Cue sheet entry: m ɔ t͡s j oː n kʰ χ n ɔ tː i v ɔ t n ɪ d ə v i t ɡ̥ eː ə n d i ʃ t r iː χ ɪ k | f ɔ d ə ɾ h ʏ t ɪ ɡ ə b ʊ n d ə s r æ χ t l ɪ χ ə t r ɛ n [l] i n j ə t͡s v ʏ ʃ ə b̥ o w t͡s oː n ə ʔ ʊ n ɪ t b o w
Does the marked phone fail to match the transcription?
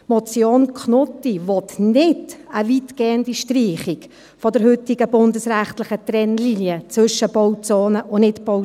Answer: no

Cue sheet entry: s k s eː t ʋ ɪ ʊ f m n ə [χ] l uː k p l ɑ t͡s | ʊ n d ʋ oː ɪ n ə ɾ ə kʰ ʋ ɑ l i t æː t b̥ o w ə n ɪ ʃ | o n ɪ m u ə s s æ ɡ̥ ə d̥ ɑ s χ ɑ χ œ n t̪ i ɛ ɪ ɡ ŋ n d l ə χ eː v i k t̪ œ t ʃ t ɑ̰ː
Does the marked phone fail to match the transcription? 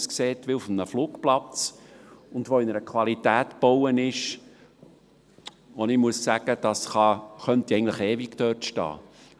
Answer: yes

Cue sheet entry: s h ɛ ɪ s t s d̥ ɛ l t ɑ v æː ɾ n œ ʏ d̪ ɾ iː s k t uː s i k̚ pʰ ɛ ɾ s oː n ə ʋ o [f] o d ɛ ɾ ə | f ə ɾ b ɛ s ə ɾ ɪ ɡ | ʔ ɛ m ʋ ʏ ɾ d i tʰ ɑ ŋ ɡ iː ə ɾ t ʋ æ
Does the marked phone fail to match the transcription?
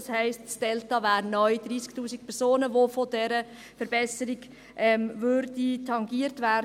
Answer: no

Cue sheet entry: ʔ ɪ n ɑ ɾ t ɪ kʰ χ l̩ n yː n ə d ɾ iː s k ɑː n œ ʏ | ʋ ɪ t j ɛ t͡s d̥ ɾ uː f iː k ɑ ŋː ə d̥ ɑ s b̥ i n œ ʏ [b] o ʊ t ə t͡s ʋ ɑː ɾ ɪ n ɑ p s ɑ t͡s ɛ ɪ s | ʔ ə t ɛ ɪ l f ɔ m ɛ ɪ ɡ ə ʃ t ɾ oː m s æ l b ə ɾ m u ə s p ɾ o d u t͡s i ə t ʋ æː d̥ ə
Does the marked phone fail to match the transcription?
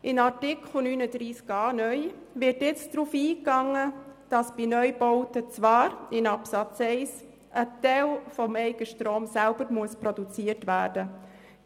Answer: no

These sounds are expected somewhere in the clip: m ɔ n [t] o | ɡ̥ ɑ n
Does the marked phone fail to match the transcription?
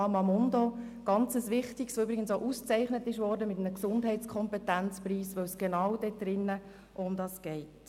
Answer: yes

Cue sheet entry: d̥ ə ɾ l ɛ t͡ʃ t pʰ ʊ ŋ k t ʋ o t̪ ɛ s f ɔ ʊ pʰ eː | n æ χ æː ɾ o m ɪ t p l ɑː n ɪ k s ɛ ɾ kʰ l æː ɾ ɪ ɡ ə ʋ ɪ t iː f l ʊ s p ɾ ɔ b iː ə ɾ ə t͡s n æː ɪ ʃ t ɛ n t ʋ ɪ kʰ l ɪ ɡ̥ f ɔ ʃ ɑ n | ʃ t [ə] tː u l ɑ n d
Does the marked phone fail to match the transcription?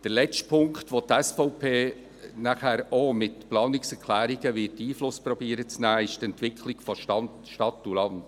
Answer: yes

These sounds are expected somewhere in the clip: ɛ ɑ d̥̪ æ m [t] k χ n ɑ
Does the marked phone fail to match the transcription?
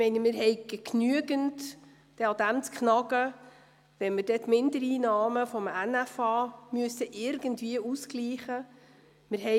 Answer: yes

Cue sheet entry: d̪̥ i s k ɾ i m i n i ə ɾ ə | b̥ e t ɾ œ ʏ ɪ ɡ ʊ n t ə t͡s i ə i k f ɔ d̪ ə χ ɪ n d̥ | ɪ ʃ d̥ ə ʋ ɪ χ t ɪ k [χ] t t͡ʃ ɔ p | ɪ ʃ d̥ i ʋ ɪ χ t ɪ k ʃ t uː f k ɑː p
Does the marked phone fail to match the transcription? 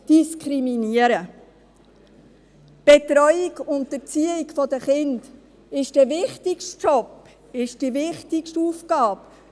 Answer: yes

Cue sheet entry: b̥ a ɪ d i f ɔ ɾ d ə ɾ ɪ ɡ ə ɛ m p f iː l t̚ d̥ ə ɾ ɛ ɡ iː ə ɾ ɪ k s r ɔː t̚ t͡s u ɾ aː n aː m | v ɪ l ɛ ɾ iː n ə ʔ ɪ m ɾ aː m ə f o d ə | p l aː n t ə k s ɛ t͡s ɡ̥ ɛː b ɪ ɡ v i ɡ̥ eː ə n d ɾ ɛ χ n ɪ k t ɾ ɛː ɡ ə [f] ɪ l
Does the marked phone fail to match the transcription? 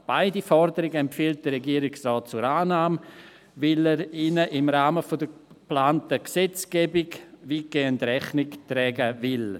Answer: yes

